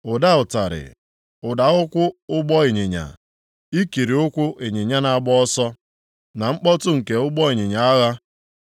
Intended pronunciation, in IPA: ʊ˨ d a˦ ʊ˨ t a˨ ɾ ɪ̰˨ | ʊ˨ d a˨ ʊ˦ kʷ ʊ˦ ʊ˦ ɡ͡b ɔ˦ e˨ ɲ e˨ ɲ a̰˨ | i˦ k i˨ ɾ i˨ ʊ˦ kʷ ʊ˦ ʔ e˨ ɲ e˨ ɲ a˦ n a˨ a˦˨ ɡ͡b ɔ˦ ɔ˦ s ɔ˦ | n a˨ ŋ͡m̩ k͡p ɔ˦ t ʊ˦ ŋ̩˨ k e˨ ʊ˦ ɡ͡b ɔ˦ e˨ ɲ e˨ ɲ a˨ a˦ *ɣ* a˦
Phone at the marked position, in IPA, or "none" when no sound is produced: ɣ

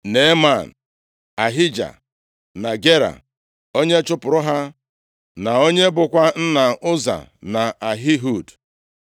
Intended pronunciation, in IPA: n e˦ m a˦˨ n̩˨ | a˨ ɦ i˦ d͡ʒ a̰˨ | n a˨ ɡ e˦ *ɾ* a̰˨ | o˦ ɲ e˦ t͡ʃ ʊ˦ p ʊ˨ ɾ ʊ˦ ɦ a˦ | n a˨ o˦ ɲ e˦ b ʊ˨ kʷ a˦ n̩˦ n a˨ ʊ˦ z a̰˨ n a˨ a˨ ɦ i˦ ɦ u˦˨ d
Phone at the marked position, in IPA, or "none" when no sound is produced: ɾ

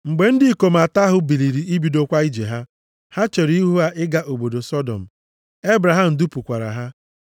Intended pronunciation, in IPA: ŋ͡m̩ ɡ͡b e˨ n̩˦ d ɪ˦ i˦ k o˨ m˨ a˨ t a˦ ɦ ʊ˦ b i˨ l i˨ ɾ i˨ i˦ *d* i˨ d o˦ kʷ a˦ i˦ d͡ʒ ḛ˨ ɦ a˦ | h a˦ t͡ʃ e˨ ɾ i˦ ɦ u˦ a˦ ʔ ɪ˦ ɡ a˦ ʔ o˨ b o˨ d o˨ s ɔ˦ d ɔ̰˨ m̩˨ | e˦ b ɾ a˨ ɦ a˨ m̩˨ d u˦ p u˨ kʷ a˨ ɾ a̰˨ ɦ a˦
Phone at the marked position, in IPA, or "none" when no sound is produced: b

